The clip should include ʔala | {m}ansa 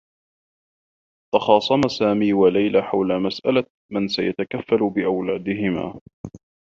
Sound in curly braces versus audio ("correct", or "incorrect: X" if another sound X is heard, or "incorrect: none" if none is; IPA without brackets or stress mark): correct